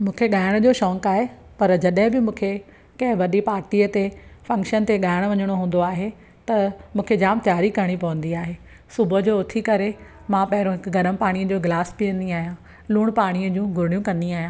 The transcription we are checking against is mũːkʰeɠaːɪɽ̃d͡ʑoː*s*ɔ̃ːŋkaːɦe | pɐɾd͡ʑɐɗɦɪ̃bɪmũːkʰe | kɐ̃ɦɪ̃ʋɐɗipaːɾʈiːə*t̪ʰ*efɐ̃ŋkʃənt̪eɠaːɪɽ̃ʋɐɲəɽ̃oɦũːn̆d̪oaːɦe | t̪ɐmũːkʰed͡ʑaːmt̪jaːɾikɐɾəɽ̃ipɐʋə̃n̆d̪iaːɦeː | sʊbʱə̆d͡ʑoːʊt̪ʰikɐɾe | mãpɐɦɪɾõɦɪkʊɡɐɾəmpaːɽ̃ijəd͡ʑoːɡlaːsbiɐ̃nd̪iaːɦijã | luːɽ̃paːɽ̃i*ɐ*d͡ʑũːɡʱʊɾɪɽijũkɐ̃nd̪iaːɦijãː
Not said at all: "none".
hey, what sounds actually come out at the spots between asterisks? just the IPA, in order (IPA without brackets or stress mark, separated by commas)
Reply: ʃ, t̪, ə